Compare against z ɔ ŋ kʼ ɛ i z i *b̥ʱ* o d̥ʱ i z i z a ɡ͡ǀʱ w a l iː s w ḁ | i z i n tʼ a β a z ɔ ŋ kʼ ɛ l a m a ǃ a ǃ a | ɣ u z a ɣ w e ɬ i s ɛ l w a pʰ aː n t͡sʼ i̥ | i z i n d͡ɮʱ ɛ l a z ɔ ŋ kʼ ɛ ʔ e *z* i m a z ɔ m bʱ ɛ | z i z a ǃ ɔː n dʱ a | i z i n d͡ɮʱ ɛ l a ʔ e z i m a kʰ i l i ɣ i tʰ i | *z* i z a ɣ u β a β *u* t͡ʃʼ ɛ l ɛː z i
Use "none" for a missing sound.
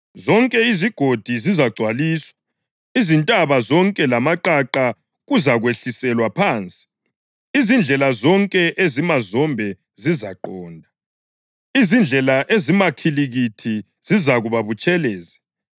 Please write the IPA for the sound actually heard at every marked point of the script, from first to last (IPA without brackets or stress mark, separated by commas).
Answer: ɡ̥ʱ, z, z, u